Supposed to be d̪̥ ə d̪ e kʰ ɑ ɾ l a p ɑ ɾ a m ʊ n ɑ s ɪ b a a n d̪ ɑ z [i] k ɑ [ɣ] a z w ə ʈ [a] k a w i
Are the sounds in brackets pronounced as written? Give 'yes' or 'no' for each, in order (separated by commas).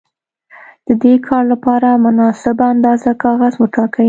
no, yes, no